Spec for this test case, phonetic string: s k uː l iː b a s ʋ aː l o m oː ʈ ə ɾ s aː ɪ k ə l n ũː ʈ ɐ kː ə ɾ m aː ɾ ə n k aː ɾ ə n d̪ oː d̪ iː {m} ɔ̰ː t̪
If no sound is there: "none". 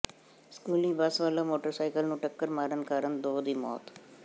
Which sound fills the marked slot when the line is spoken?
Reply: m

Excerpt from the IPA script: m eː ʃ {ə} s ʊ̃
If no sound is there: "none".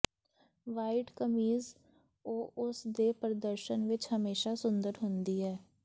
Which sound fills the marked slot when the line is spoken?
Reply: a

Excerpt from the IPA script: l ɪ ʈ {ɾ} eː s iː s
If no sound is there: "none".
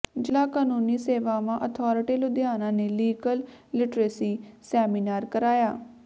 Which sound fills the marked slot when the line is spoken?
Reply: ɾ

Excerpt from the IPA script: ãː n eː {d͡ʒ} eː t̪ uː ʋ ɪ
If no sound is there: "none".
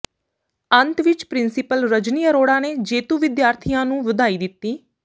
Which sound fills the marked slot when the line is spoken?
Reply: d͡ʒ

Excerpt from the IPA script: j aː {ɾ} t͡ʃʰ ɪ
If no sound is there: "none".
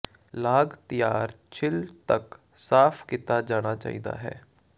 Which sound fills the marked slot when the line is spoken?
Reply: ɾ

